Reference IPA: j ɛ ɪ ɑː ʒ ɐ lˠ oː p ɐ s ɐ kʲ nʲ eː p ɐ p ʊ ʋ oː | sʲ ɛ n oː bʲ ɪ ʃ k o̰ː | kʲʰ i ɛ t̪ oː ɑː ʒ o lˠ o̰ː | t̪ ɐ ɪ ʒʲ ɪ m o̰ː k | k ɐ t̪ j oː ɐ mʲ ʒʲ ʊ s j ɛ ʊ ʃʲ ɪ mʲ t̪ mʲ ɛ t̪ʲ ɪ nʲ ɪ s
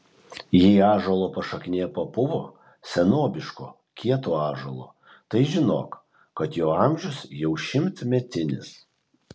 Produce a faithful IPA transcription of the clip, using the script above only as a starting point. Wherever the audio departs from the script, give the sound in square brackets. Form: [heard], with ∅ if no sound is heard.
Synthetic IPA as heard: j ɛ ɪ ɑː ʒ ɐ lˠ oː p ɐ [ʃ] ɐ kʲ nʲ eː p ɐ p ʊ ʋ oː | sʲ ɛ n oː bʲ ɪ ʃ k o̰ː | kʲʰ i ɛ t̪ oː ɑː ʒ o lˠ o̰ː | t̪ ɐ ɪ ʒʲ ɪ [n] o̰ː k | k ɐ t̪ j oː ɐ mʲ ʒʲ ʊ s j ɛ ʊ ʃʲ ɪ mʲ t̪ mʲ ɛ t̪ʲ ɪ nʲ ɪ s